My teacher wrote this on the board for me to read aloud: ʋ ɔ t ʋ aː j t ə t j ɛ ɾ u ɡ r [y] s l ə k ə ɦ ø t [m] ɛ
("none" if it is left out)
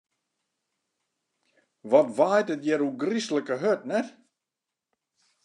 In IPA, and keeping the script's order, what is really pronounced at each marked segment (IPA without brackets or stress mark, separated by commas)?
i, n